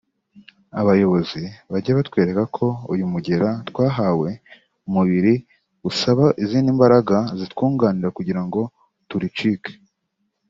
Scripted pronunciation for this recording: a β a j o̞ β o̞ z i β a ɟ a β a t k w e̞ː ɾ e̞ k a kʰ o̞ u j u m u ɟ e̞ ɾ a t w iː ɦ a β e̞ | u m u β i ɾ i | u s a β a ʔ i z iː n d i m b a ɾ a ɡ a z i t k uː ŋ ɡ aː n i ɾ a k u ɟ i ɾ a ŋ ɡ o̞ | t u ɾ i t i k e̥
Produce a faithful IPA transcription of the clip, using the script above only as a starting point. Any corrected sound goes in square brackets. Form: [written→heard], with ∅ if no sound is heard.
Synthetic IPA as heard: a β a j o̞ β o̞ z i β a ɟ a β a t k w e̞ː ɾ e̞ k a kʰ o̞ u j u m u ɟ e̞ ɾ a t w [iː→aː] ɦ a [β→w] e̞ | u m u β i ɾ i | u s a β a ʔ i z iː n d i m b a ɾ a ɡ a z i t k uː ŋ ɡ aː n i ɾ a k u ɟ i ɾ a ŋ ɡ o̞ | t u ɾ i [t→t͡ʃ] i k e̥